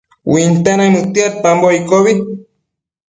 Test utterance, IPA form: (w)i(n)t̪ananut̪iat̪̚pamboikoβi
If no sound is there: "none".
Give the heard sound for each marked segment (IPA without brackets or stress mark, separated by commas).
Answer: w, n